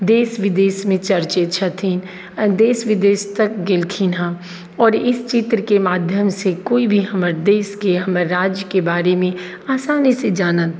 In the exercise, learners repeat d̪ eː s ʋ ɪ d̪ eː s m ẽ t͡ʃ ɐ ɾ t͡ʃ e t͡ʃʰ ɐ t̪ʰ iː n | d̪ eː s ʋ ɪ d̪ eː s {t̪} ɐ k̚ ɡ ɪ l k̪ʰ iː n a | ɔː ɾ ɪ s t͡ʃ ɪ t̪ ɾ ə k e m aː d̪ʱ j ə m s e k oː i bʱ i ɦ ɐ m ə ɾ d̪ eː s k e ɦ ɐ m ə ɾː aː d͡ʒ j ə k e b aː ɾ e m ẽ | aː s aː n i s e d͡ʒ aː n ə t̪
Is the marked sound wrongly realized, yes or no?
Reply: no